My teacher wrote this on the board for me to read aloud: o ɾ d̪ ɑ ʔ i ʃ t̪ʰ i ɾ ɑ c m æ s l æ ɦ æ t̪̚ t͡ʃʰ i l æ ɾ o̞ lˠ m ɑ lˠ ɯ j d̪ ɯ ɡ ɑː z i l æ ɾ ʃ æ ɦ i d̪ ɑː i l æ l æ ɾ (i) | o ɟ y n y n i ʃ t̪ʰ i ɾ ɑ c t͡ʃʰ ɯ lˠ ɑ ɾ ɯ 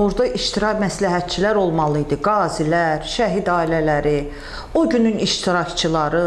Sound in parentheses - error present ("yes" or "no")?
no